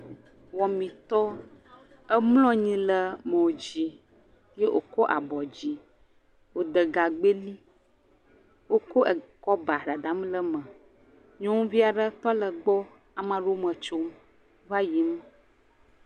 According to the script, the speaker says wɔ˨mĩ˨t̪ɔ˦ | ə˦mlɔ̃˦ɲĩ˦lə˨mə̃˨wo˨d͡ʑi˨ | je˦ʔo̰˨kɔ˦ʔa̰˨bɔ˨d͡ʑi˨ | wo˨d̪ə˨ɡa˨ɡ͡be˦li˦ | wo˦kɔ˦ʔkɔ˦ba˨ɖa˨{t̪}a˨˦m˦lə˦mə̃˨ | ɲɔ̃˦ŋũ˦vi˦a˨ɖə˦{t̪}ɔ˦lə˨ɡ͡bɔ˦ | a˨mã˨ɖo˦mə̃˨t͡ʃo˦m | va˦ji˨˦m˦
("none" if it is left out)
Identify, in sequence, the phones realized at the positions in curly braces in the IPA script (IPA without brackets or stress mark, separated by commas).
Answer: d̪, t̪